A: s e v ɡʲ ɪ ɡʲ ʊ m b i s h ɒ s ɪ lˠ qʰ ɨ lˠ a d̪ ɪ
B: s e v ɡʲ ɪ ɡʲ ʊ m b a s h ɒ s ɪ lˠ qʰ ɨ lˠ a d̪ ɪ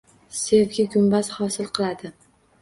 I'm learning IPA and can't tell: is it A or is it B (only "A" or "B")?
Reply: B